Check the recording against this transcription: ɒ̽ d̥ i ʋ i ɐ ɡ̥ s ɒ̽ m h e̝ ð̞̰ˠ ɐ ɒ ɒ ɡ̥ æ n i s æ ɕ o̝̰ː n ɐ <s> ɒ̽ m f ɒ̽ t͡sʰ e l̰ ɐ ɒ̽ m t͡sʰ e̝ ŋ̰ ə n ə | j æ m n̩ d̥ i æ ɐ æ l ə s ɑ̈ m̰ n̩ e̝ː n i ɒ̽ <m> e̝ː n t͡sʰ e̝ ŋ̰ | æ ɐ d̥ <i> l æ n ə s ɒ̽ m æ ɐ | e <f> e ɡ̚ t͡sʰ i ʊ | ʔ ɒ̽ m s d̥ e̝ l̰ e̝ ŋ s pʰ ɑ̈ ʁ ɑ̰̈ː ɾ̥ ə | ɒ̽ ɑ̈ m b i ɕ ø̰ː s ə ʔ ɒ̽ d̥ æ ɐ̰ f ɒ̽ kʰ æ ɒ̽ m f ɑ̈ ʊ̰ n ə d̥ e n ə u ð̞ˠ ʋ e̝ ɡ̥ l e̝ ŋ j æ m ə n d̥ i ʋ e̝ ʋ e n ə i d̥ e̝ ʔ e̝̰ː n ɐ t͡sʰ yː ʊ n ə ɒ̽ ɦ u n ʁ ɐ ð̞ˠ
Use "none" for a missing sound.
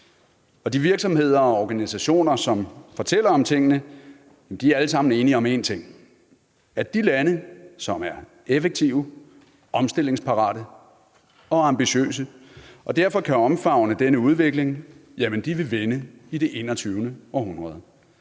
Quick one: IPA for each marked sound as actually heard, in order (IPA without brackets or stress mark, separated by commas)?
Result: s, m, i, f